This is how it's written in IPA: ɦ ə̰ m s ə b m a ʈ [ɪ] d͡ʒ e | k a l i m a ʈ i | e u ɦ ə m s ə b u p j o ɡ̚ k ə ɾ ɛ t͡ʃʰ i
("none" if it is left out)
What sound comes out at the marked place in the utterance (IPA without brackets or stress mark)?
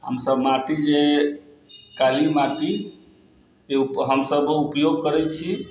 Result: i